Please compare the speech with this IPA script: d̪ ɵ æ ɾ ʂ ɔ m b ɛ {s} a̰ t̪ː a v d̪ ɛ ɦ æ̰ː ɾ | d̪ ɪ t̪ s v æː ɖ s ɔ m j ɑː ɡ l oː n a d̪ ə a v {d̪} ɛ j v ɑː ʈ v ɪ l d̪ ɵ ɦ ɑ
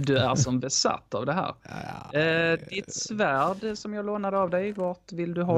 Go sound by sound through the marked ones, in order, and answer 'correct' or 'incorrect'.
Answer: correct, correct

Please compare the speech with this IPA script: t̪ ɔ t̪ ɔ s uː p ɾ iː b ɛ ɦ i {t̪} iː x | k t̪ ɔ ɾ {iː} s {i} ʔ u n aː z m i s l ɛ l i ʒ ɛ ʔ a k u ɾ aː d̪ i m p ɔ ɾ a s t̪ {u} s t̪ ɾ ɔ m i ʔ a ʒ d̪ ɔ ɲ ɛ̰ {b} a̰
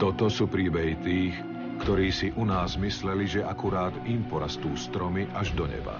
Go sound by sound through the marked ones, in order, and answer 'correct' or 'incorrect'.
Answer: correct, correct, correct, incorrect: uː, correct

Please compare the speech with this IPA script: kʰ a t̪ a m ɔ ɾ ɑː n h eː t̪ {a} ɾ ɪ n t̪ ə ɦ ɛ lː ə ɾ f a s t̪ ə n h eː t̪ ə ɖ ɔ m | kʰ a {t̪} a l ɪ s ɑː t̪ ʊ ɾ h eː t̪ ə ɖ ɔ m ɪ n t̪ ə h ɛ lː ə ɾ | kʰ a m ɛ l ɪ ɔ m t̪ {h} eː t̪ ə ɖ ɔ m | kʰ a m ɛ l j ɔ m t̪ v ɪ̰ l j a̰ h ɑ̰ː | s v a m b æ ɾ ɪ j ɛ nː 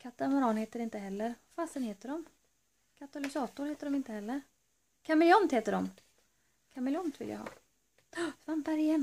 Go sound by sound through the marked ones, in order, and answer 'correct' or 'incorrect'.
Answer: incorrect: ə, correct, correct

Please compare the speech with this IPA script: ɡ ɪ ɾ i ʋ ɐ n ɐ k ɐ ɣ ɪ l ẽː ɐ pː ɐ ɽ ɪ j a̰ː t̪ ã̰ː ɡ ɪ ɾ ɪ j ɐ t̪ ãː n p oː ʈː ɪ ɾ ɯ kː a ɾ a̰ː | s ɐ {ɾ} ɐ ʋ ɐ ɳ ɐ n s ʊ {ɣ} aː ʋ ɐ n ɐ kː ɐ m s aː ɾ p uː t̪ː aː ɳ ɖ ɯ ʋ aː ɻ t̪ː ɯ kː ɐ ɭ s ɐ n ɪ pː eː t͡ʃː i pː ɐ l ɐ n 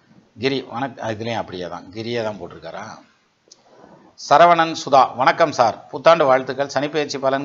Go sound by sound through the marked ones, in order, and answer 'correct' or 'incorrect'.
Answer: correct, incorrect: ð

